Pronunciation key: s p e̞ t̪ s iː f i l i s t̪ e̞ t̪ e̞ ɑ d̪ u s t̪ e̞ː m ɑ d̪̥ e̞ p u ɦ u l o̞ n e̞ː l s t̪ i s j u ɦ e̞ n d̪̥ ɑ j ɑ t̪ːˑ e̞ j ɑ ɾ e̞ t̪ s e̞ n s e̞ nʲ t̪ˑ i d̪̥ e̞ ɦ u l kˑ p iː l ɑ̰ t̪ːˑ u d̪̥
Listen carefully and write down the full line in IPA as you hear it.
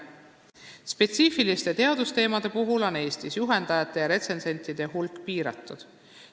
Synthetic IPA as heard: s p e̞ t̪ s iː f i l i s t̪ e̞ t̪ e̞ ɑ d̪ u s t̪ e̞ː m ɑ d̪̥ e̞ p u ɦ u l o̞ n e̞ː s t̪ i s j u ɦ e̞ n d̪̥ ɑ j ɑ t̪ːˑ e̞ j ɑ ɾ e̞ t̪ s e̞ n s e̞ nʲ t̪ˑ i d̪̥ e̞ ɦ u l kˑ p iː ɾ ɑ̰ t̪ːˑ u d̪̥